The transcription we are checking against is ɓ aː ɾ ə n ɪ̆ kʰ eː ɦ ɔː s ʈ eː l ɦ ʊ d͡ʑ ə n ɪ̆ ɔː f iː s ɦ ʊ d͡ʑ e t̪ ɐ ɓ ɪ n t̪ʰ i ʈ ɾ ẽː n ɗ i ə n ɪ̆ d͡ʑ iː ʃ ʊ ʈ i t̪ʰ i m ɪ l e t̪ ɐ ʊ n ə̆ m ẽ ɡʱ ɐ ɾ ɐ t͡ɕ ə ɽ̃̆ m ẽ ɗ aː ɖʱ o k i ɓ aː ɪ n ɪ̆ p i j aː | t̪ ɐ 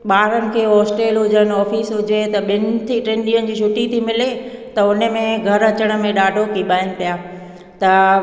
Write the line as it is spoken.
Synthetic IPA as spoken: ɓ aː ɾ ə n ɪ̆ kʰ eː ɦ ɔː s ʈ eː l ɦ ʊ d͡ʑ ə n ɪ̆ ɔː f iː s ɦ ʊ d͡ʑ e t̪ ɐ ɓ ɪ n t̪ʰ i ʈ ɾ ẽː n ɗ i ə n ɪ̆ d͡ʑ iː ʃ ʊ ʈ i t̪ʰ i m ɪ l e t̪ ɐ ʊ n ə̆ m ẽ ɡʱ ɐ ɾ ɐ t͡ɕ ə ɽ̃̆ m ẽ ɗ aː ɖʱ o k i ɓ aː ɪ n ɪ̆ p i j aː | t̪ ɐ